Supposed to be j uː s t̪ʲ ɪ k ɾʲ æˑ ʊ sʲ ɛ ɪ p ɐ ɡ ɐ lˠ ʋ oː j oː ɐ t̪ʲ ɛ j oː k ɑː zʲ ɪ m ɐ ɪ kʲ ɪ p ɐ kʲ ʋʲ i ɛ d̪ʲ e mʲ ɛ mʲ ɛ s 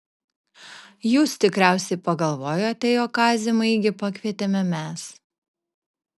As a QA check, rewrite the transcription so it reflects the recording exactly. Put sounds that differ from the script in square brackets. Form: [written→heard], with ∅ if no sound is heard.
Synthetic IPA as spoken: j uː s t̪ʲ ɪ k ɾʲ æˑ ʊ sʲ ɛ ɪ p ɐ ɡ ɐ lˠ ʋ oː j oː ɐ t̪ʲ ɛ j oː k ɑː zʲ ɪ m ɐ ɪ [kʲ→ɡʲ] ɪ p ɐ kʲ ʋʲ i ɛ [d̪ʲ→t̪ʲ] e mʲ ɛ mʲ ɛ s